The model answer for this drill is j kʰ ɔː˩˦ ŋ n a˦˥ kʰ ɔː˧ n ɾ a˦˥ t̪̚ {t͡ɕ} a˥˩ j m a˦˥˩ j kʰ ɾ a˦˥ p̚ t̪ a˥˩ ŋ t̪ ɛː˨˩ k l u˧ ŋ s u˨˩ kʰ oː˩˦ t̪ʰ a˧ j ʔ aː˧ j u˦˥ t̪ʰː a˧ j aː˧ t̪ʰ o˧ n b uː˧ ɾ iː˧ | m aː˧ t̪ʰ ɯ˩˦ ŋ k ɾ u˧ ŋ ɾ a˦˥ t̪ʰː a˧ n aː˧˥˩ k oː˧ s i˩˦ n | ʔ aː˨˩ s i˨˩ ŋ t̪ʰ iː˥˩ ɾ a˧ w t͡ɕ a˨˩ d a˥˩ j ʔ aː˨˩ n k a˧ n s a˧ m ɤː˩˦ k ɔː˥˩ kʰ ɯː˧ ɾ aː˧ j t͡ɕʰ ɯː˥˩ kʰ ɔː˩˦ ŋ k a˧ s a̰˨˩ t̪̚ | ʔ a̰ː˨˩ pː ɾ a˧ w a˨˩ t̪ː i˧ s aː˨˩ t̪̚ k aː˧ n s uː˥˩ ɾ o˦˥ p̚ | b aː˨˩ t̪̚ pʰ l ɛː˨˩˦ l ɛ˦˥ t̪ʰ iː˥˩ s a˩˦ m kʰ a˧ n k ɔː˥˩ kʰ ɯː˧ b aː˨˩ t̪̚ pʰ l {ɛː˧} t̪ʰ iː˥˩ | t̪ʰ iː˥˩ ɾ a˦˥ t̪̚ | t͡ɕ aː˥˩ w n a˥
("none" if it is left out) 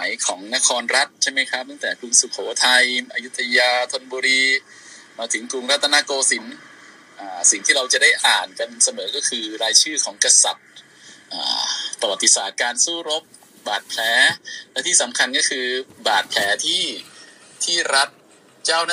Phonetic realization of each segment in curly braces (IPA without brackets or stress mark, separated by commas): t͡ɕʰ, ɛː˩˦